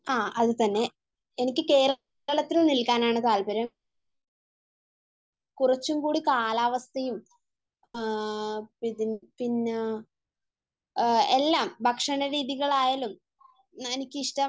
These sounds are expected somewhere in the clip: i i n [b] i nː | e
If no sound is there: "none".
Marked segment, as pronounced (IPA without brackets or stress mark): p